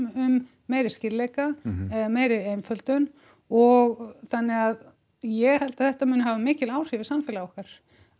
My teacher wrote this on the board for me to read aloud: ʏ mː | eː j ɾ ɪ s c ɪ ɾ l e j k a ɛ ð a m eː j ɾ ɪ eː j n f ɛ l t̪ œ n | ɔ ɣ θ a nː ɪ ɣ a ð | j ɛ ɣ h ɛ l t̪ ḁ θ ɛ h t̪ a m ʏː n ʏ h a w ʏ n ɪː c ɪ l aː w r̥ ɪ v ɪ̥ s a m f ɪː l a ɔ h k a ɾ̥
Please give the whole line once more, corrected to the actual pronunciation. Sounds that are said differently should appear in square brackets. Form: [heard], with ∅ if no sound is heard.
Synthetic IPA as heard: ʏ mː | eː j ɾ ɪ s c ɪ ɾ l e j k a ɛ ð a m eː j ɾ ɪ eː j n f [œ] l t̪ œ n | ɔ ɣ θ a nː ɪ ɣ a ð | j ɛ ɣ h ɛ l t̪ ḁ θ ɛ h t̪ a m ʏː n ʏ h a [v] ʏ [m] ɪː c ɪ l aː w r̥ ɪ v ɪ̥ s a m f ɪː l a ɔ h k a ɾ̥